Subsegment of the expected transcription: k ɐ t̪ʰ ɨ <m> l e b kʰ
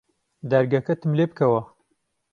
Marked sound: correct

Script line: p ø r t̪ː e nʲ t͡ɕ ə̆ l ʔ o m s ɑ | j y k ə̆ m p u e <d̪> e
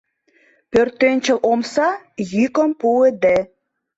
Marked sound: correct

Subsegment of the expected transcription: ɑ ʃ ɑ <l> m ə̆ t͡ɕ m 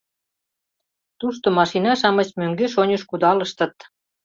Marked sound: incorrect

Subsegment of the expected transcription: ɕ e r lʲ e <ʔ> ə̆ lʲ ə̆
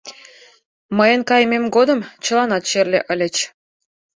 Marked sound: correct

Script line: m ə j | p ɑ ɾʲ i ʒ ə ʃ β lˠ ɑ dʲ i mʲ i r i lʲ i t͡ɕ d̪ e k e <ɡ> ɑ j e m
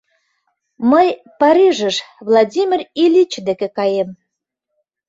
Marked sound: incorrect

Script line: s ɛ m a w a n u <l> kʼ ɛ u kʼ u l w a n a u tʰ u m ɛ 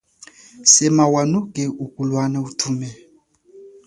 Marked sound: incorrect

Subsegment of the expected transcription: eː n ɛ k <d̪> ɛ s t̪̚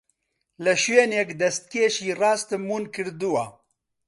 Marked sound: correct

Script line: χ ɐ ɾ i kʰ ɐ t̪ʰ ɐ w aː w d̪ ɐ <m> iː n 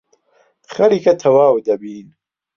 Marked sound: incorrect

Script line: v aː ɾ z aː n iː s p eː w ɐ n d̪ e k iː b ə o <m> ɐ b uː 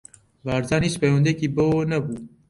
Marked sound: incorrect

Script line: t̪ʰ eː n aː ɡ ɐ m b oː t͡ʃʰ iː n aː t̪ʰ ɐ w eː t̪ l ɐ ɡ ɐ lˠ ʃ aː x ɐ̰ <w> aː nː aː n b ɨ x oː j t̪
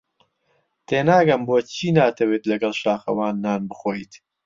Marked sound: correct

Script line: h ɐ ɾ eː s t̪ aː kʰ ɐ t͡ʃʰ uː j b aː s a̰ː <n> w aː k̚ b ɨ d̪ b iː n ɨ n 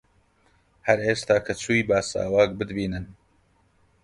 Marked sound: incorrect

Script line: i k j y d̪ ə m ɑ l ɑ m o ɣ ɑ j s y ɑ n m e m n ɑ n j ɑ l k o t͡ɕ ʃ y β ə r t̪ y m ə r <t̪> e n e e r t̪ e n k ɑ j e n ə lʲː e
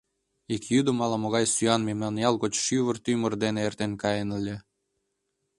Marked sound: incorrect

